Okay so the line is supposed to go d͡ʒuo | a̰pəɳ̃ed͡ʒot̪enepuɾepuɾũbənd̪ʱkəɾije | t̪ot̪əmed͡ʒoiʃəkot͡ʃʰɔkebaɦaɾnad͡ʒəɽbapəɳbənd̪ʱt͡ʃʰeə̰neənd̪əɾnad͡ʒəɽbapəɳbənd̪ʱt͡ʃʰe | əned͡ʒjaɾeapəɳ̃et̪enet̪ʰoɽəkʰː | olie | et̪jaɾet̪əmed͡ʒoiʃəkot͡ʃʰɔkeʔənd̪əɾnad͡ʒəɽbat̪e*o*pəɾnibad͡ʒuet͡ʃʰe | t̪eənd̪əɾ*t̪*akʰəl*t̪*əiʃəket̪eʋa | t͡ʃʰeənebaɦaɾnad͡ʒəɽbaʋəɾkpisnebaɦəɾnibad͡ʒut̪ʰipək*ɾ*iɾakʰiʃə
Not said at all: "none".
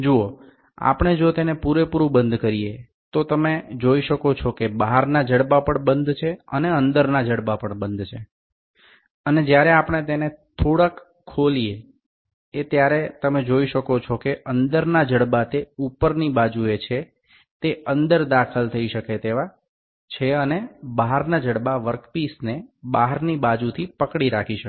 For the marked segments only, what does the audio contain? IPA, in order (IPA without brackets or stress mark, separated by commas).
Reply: u, d̪, t̪ʰ, ɽ